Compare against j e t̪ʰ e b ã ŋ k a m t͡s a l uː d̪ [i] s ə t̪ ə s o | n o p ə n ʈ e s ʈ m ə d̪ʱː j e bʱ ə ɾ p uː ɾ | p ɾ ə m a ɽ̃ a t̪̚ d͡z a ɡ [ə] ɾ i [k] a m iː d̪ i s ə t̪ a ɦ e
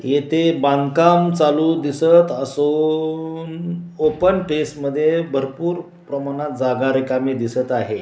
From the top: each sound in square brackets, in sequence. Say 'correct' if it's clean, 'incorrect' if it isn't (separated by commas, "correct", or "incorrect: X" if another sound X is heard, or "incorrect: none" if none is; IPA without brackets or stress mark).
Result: correct, incorrect: a, correct